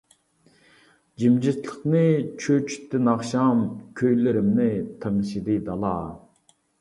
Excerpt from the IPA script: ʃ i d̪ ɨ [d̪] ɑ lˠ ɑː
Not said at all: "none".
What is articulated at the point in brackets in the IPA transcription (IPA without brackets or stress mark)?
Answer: d̪